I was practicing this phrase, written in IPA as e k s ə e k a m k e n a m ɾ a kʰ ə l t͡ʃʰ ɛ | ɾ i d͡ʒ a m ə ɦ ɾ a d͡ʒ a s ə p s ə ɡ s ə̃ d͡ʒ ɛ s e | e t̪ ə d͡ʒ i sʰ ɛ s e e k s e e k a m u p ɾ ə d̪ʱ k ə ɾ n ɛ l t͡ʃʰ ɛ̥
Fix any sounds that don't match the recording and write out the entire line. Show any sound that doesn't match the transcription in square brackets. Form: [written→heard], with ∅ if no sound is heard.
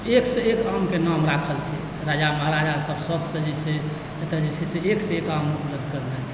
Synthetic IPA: e k s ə e k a m k e n a m ɾ a kʰ ə l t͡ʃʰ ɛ | ɾ [i→a] d͡ʒ a m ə ɦ ɾ a d͡ʒ a s ə [p→b] s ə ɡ s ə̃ d͡ʒ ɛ s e | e t̪ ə d͡ʒ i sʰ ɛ s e e k s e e k a m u p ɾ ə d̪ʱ k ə ɾ n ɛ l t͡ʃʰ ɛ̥

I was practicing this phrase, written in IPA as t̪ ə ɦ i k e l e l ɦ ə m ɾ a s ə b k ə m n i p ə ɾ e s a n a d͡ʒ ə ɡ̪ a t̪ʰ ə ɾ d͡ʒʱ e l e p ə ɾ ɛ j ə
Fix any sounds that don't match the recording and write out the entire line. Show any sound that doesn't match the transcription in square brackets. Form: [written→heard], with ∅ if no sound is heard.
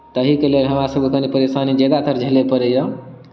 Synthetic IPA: t̪ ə ɦ i k e l e l ɦ ə m ɾ a s ə b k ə [m→∅] n i p ə ɾ e s a n [a→i] d͡ʒ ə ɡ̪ a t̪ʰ ə ɾ d͡ʒʱ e l e p ə ɾ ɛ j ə

